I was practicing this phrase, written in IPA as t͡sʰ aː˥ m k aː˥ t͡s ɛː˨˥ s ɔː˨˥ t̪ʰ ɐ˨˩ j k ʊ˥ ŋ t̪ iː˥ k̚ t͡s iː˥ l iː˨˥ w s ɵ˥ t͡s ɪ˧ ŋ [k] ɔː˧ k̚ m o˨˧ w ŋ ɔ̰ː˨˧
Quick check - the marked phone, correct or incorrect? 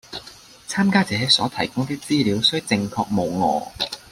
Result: incorrect